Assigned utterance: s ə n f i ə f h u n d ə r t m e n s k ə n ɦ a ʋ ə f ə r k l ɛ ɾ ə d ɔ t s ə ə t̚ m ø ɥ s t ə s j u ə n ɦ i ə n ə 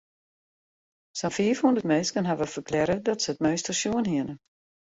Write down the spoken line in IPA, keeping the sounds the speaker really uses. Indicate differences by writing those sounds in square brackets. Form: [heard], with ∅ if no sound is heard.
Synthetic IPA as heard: s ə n f i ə f h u n d ə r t m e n s k ə n ɦ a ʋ ə f ə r k l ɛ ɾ ə d ɔ t s ə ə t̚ m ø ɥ s t ə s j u ə n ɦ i ə n ə